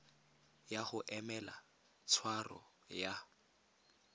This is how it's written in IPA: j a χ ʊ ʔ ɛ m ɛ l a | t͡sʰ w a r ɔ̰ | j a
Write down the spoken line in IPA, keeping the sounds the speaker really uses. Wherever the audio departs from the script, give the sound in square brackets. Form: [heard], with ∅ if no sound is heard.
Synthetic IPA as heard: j a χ ʊ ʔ ɛ m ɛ l a | t͡sʰ w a r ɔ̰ | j a